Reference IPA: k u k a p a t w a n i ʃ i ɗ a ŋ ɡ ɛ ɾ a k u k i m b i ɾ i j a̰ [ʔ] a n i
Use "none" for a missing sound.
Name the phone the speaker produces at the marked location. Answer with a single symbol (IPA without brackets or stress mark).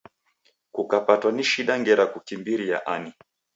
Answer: ʔ